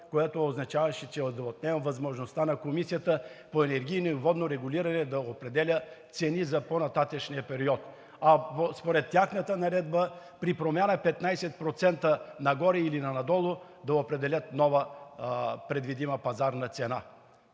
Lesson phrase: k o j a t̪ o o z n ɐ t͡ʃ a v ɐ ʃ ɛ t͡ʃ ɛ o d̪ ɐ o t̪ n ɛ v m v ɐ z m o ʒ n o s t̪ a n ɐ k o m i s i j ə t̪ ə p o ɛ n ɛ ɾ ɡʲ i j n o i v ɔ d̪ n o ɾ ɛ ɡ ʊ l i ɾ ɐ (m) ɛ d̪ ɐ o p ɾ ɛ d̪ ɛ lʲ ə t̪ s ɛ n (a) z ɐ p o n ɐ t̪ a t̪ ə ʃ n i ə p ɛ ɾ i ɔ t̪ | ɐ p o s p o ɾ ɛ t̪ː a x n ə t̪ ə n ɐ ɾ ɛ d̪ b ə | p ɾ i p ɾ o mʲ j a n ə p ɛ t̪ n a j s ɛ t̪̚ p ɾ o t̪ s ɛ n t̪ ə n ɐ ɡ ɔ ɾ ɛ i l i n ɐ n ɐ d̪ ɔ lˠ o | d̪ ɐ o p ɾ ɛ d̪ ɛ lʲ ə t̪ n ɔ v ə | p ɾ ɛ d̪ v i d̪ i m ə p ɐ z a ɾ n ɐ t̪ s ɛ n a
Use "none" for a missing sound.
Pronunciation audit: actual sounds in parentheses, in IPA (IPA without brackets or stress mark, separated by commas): n, i